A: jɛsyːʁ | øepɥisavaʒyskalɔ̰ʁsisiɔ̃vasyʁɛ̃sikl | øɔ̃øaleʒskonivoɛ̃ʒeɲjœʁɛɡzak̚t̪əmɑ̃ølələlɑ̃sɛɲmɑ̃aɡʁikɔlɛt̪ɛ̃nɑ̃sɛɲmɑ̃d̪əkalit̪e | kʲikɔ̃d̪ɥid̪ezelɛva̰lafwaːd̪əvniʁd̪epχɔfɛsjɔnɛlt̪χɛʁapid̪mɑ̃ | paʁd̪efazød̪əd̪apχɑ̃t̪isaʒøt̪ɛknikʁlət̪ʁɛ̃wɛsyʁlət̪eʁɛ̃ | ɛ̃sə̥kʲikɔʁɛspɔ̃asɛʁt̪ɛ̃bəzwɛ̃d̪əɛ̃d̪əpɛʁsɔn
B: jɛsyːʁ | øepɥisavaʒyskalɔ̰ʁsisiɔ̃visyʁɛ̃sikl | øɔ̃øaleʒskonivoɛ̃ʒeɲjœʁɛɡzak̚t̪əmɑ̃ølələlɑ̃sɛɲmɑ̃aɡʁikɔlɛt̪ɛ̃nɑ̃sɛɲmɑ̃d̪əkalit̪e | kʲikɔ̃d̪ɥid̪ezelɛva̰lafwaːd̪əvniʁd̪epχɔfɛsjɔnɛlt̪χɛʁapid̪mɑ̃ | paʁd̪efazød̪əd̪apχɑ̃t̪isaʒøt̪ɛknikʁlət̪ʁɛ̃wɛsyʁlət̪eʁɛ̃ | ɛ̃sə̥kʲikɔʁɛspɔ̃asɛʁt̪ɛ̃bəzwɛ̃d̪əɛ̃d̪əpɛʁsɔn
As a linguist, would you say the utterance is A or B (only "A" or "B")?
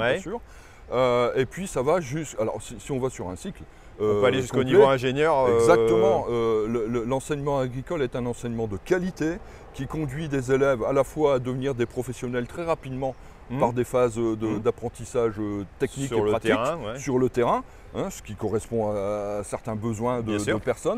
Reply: A